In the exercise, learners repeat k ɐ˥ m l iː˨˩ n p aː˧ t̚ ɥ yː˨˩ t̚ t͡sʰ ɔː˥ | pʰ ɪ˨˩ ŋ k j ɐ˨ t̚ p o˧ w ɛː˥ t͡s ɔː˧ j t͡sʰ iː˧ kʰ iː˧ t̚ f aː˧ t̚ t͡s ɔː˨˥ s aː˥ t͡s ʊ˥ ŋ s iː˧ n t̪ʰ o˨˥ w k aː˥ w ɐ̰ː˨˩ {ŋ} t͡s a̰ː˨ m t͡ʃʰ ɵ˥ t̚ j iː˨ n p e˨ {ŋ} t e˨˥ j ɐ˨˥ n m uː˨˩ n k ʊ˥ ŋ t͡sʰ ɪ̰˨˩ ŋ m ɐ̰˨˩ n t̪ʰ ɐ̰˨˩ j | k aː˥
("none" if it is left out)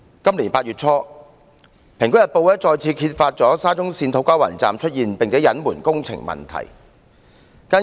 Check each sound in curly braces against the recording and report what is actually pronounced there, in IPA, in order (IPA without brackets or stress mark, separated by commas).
n, ŋ